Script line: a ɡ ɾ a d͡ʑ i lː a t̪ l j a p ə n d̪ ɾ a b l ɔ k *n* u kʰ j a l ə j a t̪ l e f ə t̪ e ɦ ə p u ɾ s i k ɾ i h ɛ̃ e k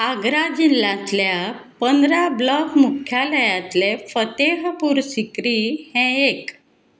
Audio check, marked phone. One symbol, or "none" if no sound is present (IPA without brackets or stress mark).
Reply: m